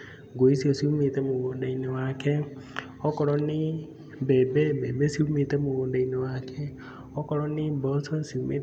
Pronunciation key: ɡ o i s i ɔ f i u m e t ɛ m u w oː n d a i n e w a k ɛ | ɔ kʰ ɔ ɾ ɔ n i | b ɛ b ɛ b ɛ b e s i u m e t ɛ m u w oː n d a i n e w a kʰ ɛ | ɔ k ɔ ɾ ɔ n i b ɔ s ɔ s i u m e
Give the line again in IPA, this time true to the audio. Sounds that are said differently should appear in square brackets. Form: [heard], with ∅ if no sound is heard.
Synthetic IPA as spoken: ɡ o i s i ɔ [s] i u m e t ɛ m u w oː n d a i n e w a k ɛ | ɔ [k] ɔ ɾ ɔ n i | b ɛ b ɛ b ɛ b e s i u m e t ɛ m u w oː n d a i n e w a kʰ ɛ | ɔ k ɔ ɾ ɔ n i b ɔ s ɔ s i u m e